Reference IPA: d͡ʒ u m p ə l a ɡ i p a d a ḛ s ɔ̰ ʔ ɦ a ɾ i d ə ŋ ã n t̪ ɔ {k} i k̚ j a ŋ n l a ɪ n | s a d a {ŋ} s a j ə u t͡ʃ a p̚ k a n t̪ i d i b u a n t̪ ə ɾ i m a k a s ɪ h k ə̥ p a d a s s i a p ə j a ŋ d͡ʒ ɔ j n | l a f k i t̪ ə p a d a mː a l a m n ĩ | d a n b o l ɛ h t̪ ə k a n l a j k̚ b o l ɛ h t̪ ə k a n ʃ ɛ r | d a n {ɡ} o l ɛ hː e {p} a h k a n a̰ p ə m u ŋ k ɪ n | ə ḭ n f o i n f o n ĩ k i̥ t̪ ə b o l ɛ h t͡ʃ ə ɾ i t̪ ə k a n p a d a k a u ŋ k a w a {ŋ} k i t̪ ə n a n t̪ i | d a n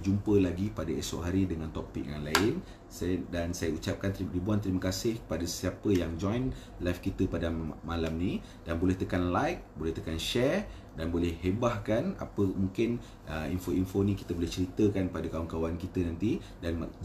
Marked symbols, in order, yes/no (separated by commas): no, no, no, no, no